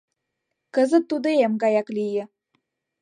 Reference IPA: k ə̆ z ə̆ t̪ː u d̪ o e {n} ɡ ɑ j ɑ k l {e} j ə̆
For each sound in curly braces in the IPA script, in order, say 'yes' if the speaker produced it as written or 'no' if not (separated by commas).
no, no